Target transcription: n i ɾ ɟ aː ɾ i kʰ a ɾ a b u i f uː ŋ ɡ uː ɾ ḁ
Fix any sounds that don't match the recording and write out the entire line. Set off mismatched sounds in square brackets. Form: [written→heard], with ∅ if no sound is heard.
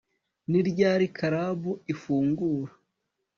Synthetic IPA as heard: n i ɾ ɟ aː ɾ i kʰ a ɾ a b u i f uː ŋ ɡ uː ɾ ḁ